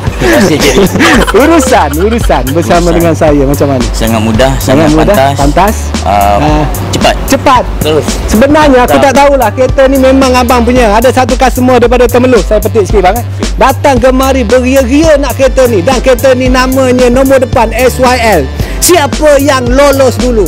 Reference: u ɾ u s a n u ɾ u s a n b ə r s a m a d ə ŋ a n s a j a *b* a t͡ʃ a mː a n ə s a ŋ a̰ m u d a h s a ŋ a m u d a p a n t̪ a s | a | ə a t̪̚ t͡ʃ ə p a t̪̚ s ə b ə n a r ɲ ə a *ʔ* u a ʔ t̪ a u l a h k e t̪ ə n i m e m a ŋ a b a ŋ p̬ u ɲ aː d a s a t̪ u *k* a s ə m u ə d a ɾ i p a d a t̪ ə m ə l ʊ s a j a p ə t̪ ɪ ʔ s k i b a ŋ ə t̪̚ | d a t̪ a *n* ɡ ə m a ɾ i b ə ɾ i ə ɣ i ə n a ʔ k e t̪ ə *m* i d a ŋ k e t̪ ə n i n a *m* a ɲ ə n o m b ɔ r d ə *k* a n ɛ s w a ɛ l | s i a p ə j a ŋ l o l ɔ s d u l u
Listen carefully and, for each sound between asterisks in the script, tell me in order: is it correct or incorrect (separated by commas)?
incorrect, incorrect, correct, incorrect, incorrect, correct, incorrect